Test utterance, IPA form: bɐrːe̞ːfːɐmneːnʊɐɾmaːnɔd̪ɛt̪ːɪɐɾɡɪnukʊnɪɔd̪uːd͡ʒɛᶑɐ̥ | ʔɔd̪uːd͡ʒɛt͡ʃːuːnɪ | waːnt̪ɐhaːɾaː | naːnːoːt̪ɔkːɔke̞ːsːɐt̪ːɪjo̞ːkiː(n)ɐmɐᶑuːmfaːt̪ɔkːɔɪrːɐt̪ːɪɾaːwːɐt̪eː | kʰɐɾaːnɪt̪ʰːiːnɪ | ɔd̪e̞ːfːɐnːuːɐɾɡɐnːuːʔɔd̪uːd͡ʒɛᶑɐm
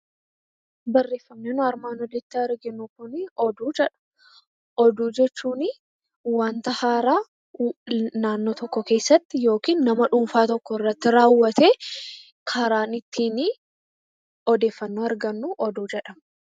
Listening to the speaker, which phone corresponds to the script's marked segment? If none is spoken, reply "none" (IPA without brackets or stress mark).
nː